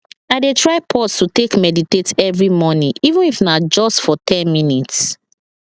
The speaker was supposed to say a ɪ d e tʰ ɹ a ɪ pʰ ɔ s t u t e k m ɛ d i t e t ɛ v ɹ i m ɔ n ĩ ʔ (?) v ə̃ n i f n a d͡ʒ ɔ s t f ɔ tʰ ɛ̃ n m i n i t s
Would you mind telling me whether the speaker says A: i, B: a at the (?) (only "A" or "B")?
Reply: A